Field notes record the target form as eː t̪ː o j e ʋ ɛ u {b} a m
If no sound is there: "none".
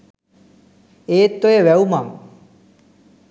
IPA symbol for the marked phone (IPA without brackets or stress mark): m